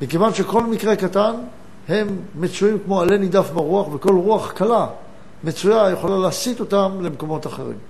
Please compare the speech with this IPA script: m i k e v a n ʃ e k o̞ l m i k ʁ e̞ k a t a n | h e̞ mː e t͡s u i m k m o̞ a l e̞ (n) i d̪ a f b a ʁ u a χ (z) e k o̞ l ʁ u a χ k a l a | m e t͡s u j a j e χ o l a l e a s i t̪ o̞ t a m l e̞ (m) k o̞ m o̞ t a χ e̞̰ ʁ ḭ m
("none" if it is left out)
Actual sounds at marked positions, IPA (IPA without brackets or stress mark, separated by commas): n, v, m